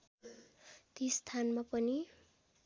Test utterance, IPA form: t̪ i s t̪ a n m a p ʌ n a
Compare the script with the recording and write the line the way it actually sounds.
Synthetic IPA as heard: t̪ i s t̪ʰ a n m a p ʌ n i